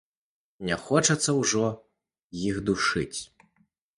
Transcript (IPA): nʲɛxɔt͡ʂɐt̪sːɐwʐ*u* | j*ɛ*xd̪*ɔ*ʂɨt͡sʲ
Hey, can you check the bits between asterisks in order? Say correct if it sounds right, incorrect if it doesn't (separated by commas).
incorrect, incorrect, incorrect